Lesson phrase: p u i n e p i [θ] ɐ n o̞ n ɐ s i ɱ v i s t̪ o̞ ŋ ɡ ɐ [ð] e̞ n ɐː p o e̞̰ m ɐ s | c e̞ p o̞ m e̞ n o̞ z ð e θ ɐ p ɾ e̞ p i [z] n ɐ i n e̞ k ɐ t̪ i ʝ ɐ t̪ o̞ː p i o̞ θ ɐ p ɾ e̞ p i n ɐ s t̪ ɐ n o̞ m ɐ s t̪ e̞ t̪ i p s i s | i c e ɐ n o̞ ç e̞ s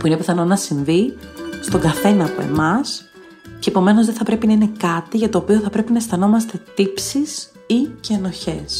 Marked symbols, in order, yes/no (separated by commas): yes, no, no